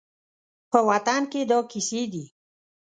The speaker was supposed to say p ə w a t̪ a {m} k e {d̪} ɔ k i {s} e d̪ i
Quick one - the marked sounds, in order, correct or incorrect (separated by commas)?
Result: incorrect, correct, correct